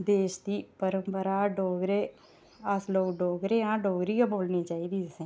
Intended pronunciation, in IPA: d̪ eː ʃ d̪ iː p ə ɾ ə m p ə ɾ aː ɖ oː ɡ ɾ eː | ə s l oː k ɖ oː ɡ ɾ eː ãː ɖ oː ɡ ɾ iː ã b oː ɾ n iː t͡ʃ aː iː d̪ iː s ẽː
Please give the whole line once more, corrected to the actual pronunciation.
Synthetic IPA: d̪ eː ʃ d̪ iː p ə ɾ ə m p ə ɾ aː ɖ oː ɡ ɾ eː | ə s l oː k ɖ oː ɡ ɾ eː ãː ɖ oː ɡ ɾ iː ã b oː l n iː t͡ʃ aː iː d̪ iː s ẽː